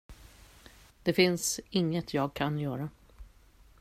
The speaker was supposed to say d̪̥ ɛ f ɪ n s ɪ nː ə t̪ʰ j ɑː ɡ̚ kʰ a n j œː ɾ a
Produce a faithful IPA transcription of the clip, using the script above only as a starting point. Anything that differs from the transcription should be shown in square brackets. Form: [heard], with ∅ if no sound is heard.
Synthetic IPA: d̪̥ ɛ f ɪ n s ɪ [ŋː] ə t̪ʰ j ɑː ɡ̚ kʰ a n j œː ɾ a

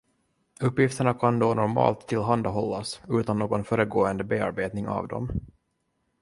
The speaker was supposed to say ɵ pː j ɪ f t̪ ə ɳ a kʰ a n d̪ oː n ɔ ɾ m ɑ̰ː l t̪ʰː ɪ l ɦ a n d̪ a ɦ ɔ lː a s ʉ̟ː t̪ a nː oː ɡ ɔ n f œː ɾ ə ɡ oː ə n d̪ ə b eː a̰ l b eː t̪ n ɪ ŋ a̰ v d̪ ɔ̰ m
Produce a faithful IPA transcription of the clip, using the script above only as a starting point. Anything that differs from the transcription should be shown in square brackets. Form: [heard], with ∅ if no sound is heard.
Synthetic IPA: ɵ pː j ɪ f t̪ ə ɳ a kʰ a n d̪ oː n ɔ ɾ m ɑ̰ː l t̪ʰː ɪ l ɦ a n d̪ a ɦ ɔ lː a s ʉ̟ː t̪ a nː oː ɡ ɔ n f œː ɾ ə ɡ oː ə n d̪ ə b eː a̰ [ɾ] b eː t̪ n ɪ ŋ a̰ v d̪ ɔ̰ m

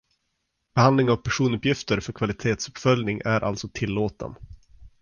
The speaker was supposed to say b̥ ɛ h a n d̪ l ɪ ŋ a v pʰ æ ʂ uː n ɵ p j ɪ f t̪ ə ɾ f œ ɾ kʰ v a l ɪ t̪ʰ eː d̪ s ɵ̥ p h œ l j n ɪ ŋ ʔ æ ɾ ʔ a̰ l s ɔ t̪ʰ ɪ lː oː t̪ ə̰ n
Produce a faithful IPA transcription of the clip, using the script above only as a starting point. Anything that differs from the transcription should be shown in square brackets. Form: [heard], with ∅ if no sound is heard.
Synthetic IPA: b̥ ɛ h a n d̪ l ɪ ŋ a v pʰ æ ʂ uː n ɵ p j ɪ f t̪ ə ɾ f œ ɾ kʰ v a l ɪ t̪ʰ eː [t̪] s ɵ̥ p [f] œ l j n ɪ ŋ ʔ æ ɾ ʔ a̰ l s ɔ t̪ʰ ɪ lː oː t̪ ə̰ n

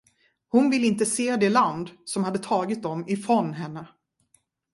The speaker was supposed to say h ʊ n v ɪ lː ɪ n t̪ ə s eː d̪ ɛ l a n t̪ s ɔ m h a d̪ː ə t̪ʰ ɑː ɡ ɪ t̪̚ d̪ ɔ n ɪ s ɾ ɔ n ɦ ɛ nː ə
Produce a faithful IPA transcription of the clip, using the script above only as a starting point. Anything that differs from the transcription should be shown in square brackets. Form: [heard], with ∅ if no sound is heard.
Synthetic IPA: h ʊ n v ɪ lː ɪ n t̪ ə s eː d̪ ɛ l a n [d̪] s ɔ m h a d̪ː ə t̪ʰ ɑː ɡ ɪ t̪̚ d̪ ɔ [m] ɪ [f] ɾ ɔ n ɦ ɛ nː ə

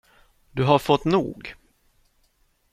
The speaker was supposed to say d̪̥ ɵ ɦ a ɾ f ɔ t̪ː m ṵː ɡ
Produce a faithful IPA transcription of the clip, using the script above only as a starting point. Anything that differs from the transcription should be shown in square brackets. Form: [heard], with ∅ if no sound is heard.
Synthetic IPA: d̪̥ ɵ ɦ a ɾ f ɔ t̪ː [n] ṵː ɡ

